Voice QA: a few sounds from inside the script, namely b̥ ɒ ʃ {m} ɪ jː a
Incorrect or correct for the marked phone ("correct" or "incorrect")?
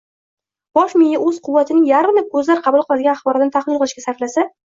correct